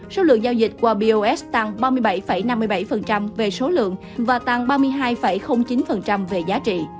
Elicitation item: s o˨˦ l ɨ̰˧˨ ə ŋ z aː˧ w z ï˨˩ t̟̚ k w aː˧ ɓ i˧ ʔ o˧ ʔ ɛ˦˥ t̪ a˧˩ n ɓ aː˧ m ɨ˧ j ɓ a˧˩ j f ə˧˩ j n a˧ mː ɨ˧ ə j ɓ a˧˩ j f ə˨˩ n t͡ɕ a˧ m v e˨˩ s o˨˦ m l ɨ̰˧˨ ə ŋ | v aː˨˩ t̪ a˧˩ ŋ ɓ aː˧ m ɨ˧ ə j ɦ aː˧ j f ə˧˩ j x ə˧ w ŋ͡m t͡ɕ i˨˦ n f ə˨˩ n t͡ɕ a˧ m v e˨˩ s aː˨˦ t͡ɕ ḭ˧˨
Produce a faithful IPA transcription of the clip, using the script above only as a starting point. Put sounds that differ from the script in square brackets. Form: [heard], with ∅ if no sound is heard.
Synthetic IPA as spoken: s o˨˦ l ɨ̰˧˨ ə ŋ z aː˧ w z ï˨˩ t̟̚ k w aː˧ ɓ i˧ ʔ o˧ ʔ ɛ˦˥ t̪ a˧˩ [ŋ] ɓ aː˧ m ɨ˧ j ɓ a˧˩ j f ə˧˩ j n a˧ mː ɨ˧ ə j ɓ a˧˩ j f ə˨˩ n t͡ɕ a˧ m v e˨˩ s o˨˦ [∅] l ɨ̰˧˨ ə ŋ | v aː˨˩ t̪ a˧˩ ŋ ɓ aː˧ m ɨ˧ ə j ɦ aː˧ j f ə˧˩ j x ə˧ w ŋ͡m t͡ɕ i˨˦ n f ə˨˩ n t͡ɕ a˧ m v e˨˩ [z] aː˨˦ t͡ɕ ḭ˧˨